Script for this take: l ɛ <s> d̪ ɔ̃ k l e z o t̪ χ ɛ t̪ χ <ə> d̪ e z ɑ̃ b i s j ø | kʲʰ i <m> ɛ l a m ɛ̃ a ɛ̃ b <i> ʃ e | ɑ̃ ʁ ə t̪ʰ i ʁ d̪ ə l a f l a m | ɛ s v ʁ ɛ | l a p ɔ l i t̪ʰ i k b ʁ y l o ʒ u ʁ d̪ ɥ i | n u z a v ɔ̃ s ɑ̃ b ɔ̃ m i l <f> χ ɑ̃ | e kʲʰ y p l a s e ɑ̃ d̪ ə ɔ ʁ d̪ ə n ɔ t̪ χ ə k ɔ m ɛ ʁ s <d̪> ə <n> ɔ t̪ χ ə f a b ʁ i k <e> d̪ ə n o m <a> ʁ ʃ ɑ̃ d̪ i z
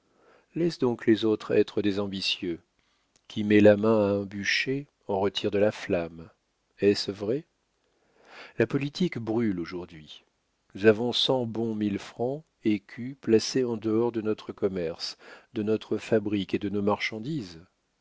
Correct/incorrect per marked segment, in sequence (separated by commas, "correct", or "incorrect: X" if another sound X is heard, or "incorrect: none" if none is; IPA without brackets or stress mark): correct, correct, correct, incorrect: y, correct, correct, correct, correct, correct